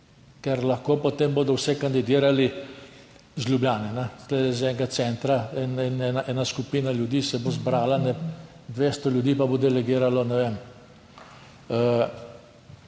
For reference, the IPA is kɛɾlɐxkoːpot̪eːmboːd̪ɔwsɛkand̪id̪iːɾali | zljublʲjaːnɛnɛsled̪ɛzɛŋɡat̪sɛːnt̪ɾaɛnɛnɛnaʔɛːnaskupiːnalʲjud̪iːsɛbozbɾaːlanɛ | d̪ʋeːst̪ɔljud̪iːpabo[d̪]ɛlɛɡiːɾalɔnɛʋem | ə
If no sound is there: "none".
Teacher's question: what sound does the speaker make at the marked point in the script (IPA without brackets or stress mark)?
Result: d̪